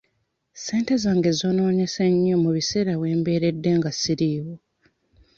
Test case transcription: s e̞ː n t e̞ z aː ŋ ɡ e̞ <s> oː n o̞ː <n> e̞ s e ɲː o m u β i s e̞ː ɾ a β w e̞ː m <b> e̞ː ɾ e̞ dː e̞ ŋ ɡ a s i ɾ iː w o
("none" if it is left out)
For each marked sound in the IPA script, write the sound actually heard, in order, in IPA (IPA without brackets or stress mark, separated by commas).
z, ɲ, b